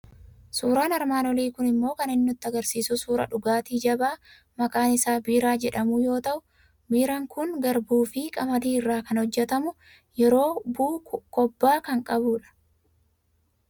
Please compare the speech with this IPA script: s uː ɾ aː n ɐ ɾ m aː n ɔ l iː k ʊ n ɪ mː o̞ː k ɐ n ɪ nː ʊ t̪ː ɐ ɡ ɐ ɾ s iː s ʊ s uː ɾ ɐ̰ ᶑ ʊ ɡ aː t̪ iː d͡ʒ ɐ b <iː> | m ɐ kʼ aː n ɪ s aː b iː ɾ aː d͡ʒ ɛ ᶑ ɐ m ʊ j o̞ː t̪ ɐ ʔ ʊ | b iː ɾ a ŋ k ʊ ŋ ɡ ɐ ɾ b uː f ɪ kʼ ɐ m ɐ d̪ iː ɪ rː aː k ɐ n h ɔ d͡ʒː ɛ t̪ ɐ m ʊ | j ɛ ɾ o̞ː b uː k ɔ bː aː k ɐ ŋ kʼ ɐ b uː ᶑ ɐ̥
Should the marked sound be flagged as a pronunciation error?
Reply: yes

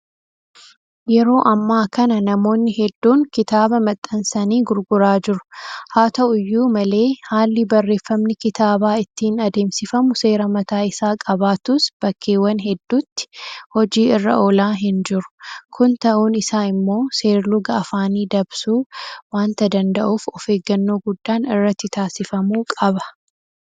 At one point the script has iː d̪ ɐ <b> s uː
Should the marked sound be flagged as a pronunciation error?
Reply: no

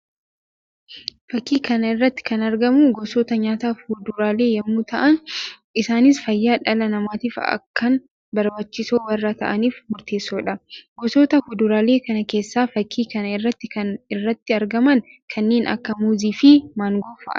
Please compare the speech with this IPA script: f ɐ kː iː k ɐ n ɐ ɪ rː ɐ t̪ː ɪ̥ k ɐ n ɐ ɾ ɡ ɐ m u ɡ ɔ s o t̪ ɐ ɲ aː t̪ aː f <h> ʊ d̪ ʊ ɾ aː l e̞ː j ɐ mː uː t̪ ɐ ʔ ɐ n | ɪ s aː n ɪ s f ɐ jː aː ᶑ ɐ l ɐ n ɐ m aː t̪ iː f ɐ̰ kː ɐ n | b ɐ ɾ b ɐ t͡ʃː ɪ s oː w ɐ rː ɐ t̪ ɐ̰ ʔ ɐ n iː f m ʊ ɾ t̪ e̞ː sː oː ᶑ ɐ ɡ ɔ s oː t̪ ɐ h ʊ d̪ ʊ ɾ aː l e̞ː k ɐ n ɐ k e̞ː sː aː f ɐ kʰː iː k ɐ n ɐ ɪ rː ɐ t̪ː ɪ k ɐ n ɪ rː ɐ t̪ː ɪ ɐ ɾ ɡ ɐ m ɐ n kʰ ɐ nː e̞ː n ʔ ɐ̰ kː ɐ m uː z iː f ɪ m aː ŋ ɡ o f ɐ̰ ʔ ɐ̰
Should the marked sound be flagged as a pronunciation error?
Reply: no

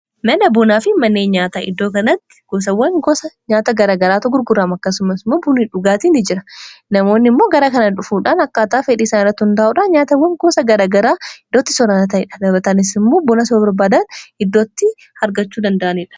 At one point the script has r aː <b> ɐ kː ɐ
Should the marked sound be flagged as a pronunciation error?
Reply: yes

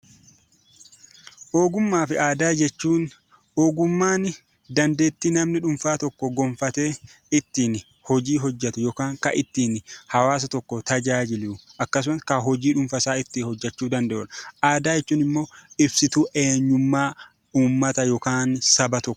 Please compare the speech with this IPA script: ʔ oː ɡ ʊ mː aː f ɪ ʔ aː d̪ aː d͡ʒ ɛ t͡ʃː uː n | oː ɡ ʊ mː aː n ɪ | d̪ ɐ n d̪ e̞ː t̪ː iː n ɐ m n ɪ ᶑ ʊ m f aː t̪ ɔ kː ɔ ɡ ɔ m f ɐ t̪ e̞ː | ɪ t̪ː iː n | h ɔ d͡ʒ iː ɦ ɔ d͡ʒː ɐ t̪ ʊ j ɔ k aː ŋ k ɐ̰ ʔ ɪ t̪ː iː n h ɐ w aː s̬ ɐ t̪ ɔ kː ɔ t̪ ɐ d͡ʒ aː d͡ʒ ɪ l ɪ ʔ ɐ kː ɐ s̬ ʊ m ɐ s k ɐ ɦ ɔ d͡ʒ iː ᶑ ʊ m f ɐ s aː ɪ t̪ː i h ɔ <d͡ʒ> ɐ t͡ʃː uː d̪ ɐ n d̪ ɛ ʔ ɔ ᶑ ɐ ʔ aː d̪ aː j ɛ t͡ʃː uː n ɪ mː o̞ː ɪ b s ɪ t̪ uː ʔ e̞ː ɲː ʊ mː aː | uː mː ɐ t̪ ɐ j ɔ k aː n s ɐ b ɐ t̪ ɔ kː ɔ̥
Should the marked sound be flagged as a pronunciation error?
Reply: yes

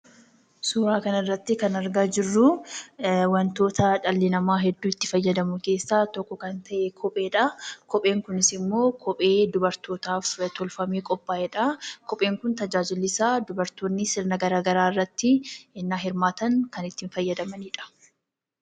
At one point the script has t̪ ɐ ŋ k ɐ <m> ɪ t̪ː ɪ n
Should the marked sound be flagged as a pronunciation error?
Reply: yes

